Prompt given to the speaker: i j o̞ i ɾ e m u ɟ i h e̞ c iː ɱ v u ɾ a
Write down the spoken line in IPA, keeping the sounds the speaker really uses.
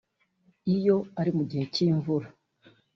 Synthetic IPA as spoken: i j o̞ a ɾ i m u ɟ i h e̞ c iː ɱ v u ɾ a